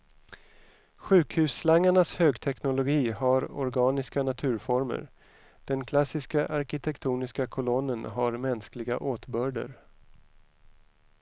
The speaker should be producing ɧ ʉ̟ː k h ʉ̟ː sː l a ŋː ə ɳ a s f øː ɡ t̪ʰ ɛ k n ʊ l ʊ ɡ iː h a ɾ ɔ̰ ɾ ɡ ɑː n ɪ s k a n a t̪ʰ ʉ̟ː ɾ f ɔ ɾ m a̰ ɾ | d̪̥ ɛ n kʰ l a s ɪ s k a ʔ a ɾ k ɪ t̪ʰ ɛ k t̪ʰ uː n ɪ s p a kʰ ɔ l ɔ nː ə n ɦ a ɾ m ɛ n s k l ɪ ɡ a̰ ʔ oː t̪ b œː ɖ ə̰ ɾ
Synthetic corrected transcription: ɧ ʉ̟ː k h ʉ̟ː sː l a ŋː a ɳ a s h øː ɡ t̪ʰ ɛ k n ʊ l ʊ ɡ iː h a ɾ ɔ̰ ɾ ɡ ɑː n ɪ s k a n a t̪ʰ ʉ̟ː ɾ f ɔ ɾ m ə̰ ɾ | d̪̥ ɛ n kʰ l a s ɪ s k a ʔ a ɾ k ɪ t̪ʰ ɛ k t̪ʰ uː n ɪ s k a kʰ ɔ l ɔ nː ə n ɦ a ɾ m ɛ n s k l ɪ ɡ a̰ ʔ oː t̪ b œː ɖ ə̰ ɾ